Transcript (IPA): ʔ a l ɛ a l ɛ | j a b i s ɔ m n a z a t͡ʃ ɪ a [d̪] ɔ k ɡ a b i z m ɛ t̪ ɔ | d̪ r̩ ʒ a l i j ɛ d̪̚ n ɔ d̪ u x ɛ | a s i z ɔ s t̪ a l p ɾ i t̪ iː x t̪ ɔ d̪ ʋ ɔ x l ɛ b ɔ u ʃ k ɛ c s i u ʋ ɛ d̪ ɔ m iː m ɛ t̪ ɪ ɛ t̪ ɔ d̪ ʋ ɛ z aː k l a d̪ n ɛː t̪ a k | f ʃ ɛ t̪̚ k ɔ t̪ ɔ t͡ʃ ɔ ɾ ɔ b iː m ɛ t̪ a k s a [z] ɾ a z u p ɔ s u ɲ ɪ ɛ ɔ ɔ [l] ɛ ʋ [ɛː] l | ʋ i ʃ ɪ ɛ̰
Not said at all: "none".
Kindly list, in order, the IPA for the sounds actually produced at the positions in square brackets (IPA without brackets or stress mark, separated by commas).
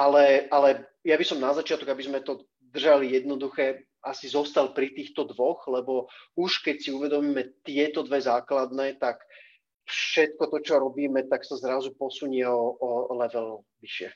t̪, z, l, ɛ